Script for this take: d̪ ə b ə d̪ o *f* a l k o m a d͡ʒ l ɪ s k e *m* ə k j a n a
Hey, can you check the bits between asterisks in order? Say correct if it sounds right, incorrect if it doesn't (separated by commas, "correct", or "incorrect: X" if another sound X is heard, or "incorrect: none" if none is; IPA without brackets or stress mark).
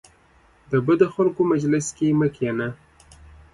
incorrect: x, correct